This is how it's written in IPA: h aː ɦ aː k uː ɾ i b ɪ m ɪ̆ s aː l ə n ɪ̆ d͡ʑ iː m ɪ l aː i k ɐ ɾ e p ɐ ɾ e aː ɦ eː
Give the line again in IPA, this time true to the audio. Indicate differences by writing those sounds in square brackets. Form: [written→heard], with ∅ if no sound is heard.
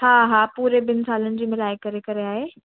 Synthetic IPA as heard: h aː ɦ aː [k→p] uː ɾ [i→e] b ɪ [m→n] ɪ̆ s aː l ə n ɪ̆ d͡ʑ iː m ɪ l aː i k ɐ ɾ e [p→k] ɐ ɾ e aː ɦ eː